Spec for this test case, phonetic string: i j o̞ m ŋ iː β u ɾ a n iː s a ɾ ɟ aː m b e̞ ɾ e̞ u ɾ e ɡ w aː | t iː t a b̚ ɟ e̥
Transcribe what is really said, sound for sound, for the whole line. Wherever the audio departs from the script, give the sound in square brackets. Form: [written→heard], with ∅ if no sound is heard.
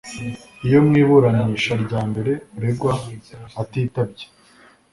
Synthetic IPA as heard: i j o̞ m ŋ iː β u ɾ a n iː [s→ʃ] a ɾ ɟ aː m b e̞ ɾ e̞ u ɾ e ɡ w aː | t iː t a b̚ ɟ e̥

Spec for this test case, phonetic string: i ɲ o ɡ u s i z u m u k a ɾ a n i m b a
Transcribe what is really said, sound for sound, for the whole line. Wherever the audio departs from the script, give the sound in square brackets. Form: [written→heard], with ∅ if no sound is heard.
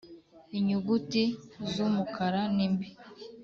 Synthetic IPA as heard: i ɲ [o→u] ɡ u [s→t] i z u m u k a ɾ a n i m b [a→i]

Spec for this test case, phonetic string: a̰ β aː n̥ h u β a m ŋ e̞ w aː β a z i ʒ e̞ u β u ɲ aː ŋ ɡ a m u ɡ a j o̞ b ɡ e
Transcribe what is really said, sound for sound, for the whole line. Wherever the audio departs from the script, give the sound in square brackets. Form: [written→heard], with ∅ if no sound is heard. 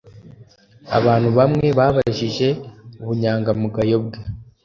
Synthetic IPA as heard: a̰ β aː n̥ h u β a m ŋ e̞ [w→β] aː β a [z→ʒ] i ʒ e̞ u β u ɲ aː ŋ ɡ a m u ɡ a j o̞ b ɡ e

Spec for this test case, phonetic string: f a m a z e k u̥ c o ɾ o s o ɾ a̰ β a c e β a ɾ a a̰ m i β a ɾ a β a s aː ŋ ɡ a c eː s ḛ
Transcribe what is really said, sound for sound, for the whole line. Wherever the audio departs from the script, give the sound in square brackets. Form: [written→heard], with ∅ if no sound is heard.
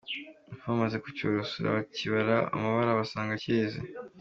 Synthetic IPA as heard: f a m a z e k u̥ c o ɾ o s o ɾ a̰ β a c [e→i] β a ɾ a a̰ m [i→a] β a ɾ a β a s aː ŋ ɡ a c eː [s→z] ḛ

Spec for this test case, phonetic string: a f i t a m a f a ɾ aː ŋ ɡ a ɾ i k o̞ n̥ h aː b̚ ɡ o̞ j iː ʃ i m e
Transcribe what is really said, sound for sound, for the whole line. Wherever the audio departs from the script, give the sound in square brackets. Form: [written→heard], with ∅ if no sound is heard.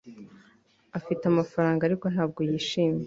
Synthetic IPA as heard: a f i t a m a f a ɾ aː ŋ ɡ a ɾ i k o̞ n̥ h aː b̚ ɡ o̞ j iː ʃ [i→iː] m e

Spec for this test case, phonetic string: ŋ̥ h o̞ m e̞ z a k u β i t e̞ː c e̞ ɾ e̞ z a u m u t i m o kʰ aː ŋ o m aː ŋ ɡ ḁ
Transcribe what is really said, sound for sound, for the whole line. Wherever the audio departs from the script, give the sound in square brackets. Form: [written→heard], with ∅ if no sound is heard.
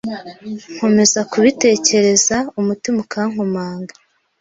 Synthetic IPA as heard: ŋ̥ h o̞ m e̞ z a k u β i t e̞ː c e̞ ɾ e̞ z a u m u t i m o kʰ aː ŋ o m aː ŋ ɡ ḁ

